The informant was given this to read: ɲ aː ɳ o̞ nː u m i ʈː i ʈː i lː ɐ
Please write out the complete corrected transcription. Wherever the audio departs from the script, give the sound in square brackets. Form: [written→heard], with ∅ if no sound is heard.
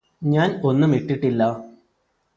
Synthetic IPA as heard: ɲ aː [ɳ→n] o̞ nː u m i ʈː i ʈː i lː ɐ